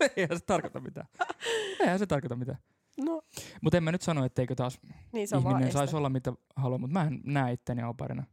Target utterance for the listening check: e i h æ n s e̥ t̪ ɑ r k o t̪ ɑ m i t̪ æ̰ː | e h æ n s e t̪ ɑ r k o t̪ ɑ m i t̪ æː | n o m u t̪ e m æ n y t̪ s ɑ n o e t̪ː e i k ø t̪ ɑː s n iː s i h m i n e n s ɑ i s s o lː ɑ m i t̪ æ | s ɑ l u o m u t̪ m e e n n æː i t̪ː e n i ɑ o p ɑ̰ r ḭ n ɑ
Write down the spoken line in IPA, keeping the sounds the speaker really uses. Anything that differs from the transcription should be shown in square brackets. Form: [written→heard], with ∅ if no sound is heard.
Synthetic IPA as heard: e i h æ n s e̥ t̪ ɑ r k o t̪ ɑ m i t̪ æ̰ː | e h æ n s e t̪ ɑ r k o t̪ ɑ m i t̪ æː | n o m u t̪ e m æ n y t̪ s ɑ n o e t̪ː e i k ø t̪ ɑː s n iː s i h m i n e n s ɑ i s s o lː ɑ m i t̪ æ | [s→h] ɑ l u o m u t̪ m [e→æ] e n n æː i t̪ː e n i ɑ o p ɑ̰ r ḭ n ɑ